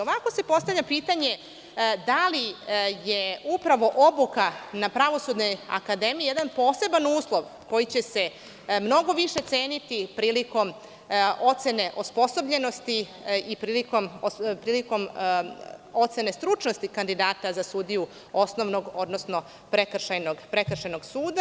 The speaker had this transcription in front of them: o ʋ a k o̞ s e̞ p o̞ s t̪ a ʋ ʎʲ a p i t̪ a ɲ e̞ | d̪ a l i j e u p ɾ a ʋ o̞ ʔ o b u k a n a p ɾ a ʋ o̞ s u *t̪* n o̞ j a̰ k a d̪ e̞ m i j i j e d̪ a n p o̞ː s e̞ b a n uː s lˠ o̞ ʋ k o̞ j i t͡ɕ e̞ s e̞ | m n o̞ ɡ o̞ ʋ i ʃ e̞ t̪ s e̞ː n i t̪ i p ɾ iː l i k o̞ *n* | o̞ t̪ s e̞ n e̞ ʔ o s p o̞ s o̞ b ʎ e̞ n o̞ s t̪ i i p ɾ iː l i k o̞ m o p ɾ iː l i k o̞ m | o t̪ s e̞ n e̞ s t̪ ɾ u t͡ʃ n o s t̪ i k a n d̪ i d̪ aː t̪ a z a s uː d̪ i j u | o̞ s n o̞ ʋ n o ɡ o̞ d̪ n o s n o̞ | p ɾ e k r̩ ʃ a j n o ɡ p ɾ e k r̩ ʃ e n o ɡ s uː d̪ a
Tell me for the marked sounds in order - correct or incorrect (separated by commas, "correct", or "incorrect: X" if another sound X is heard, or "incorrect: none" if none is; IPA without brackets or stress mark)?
incorrect: d̪, incorrect: m